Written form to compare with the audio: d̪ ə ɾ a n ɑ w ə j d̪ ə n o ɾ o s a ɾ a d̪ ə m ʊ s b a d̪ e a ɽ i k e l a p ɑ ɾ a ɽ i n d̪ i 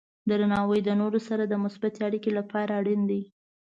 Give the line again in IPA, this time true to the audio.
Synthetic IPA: d̪ ə ɾ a n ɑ w ə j d̪ ə n o ɾ o s a ɾ a d̪ ə m ʊ s b a t̪ e a ɽ i k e l a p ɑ ɾ a ɽ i n d̪ i